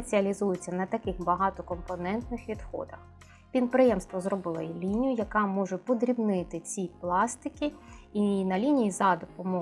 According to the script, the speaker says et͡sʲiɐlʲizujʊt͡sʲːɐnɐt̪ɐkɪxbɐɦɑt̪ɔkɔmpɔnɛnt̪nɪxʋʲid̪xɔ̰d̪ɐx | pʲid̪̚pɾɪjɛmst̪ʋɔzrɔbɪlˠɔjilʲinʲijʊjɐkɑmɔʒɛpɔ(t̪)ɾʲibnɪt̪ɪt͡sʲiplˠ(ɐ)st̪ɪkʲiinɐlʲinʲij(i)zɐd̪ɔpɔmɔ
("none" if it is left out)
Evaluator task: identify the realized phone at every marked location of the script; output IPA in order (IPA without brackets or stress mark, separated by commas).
d̪, ɑ, i